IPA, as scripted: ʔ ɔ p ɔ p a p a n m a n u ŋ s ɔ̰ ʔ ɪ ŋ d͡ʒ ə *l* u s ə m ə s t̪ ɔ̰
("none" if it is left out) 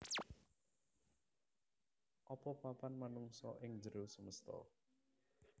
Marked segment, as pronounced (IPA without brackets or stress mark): ɾ